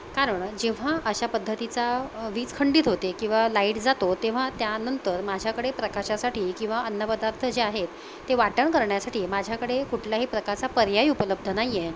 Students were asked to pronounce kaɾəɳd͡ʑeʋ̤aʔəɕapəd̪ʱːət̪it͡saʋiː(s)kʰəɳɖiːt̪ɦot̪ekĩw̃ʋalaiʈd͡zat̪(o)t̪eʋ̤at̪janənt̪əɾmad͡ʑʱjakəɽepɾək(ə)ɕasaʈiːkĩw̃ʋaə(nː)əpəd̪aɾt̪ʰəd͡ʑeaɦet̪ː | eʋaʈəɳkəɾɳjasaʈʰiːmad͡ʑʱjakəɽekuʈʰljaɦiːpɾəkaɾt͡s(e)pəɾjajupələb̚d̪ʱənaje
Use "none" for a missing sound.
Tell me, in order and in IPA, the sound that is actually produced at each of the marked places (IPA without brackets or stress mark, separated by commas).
t͡s, o, a, nː, a